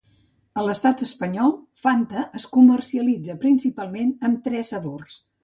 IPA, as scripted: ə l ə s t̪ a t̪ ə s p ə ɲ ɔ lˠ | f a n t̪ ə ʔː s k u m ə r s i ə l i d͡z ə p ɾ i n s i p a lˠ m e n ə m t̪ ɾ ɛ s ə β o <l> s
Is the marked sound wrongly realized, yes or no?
yes